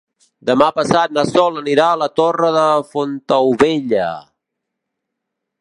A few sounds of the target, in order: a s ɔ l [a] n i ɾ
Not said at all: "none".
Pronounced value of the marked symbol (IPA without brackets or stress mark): ə